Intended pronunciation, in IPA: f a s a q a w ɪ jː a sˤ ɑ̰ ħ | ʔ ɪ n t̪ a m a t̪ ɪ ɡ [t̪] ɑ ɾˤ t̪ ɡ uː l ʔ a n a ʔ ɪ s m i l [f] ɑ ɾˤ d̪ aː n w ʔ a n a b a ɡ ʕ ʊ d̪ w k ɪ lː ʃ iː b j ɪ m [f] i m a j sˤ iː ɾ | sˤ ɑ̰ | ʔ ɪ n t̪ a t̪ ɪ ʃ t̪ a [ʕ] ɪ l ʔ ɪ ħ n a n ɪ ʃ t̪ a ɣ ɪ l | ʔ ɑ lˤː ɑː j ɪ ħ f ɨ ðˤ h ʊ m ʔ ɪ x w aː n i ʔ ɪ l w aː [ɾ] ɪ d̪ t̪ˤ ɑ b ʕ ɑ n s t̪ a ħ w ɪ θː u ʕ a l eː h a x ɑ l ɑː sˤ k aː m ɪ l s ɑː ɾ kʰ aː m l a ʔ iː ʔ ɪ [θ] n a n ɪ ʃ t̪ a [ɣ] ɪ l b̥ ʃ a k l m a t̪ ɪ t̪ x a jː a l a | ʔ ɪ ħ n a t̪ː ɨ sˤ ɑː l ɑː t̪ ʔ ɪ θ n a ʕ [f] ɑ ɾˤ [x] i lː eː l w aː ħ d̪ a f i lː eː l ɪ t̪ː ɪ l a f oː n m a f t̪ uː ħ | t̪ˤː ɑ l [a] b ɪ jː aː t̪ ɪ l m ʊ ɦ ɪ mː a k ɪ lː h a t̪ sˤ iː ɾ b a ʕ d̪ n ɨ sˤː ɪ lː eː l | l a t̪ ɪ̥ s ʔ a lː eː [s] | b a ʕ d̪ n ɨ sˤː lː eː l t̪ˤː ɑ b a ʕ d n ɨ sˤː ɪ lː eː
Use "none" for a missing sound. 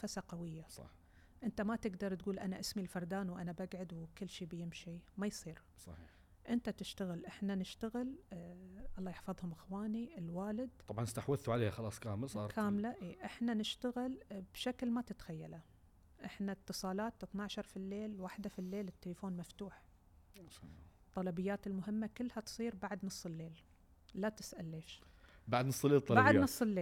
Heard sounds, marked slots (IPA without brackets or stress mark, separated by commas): d̪, f, ʃ, ɣ, l, ħ, ɣ, ʃ, f, ɑ, ʃ